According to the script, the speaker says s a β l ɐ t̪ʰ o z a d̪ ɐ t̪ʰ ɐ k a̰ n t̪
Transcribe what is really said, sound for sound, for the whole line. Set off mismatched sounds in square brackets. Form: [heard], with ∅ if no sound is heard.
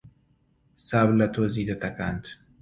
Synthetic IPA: s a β l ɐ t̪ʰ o z [i] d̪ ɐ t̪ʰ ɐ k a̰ n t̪